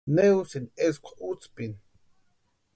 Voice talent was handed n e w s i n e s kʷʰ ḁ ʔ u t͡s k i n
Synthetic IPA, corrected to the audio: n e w s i n e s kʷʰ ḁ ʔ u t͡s p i n

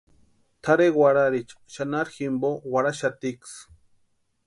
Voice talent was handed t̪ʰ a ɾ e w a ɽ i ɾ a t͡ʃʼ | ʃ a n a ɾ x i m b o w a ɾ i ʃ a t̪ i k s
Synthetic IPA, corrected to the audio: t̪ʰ a ɾ e w a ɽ a ɾ i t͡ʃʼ | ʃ a n a ɾ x i m b o w a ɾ a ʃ a t̪ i k s

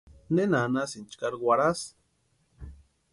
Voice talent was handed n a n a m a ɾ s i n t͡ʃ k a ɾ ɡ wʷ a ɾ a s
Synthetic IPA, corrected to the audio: n e n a n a s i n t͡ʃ k a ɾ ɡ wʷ a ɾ a s

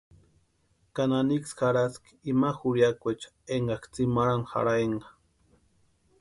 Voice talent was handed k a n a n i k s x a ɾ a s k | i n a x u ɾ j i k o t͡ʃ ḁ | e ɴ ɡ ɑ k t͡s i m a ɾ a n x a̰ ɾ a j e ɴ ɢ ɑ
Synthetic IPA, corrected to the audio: k a n a n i k s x a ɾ a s k | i m a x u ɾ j a k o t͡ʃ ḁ | e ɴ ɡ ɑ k t͡s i m a ɾ a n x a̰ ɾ a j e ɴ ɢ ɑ

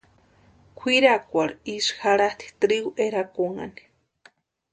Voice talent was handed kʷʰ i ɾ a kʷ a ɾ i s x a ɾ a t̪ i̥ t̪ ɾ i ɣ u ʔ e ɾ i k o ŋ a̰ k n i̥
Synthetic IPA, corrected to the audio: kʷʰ i ɾ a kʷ a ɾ i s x a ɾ a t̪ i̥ t̪ ɾ i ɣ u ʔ e ɾ a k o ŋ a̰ n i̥

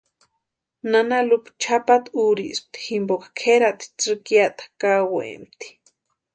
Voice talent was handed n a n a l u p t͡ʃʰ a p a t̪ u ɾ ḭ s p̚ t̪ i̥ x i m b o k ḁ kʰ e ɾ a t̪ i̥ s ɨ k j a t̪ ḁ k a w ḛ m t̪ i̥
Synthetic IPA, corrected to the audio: n a n a l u p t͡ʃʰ a p a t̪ u ɾ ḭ s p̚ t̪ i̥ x i m b o k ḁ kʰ e ɾ a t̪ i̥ t͡s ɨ k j a t̪ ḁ k a w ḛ m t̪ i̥

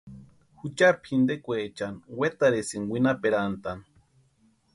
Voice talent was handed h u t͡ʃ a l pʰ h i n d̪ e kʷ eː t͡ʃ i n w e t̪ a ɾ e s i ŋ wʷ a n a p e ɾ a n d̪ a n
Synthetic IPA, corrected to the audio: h u t͡ʃ a ɾ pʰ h i n d̪ e kʷ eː t͡ʃ a n w e t̪ a ɾ e s i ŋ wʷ i n a p e ɾ a n t̪ a n

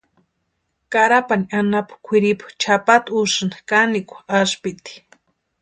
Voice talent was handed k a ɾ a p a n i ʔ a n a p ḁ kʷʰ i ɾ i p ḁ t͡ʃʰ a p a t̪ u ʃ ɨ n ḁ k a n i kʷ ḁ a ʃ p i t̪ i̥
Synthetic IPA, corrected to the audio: k a ɾ a p a n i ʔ a n a p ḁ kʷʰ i ɾ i p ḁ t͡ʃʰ a p a t̪ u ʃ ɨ n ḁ k a n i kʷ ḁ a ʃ p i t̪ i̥

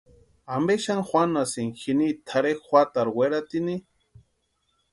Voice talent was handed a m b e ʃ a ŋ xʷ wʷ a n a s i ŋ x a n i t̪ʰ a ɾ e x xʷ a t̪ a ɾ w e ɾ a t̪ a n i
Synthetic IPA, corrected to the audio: a m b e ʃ a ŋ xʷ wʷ a n a s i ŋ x i n i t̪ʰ a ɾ e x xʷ a t̪ a ɾ w e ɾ a t̪ i n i

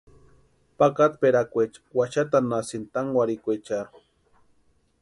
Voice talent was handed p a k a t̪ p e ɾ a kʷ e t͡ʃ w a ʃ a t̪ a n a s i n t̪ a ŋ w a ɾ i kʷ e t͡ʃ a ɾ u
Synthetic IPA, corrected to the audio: p a k a t̪ p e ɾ a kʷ e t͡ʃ w a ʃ a t̪ a n a s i n t̪ a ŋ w a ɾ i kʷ e t͡ʃ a ɾ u

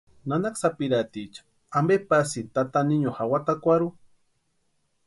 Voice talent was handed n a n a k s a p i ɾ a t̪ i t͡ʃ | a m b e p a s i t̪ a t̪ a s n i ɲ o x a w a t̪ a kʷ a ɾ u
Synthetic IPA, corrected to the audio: n a n a k s a p i ɾ a t̪ i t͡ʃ | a m b e p a s i t̪ a t̪ a n i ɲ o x a w a t̪ a kʷ a ɾ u

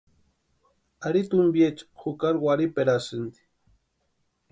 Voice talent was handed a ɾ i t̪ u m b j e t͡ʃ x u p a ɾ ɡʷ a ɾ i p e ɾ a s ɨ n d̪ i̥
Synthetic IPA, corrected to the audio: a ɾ i t̪ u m b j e t͡ʃ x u k a ɾ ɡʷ a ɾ i p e ɾ a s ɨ n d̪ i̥

